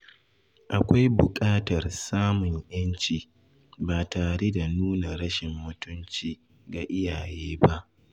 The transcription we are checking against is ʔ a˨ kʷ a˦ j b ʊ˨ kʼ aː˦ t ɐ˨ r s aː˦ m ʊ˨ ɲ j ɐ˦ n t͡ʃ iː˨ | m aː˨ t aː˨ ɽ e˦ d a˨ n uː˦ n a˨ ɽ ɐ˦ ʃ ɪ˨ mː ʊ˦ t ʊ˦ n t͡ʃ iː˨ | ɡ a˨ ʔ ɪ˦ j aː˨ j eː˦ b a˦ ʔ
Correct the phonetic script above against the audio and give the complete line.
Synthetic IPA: ʔ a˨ kʷ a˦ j b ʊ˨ kʼ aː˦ t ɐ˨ r s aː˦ m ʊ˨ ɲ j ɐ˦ n t͡ʃ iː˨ | b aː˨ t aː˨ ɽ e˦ d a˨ n uː˦ n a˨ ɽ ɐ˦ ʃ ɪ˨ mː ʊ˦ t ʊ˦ n t͡ʃ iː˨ | ɡ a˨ ʔ ɪ˦ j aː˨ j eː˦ b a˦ ʔ